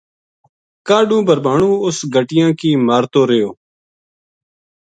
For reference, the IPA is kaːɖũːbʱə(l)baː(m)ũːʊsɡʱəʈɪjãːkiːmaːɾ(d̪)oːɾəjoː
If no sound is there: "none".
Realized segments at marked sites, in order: ɾ, ɳ, t̪

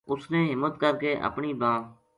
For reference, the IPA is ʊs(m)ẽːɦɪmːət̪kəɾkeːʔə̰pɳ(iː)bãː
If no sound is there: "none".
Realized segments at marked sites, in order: n, iː

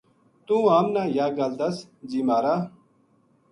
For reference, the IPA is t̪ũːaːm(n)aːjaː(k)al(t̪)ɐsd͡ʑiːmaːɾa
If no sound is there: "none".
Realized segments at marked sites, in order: n, ɡ, d̪

